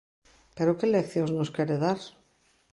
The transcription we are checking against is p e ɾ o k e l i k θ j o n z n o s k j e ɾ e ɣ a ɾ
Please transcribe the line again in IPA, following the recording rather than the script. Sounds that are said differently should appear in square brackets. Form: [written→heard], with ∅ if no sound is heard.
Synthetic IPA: p e ɾ o k e l [i→e] k θ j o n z n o s k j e ɾ e [ɣ→ð] a ɾ